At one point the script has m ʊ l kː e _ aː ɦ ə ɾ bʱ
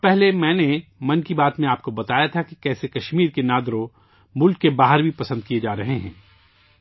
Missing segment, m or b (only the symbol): b